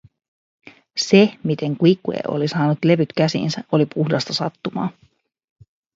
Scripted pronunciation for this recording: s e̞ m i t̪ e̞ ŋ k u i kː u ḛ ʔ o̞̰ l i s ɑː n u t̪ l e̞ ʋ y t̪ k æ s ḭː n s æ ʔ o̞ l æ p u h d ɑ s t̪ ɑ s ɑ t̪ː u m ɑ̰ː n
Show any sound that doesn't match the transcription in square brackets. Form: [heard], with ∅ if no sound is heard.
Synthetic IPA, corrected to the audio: s e̞ m i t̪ e̞ ŋ k u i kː u ḛ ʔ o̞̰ l i s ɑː n u t̪ l e̞ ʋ y t̪ k æ s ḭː n s æ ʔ o̞ l [i] p u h d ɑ s t̪ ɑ s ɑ t̪ː u m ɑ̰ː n